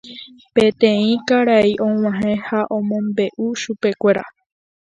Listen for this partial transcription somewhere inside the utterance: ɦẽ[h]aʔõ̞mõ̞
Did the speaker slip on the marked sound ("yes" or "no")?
no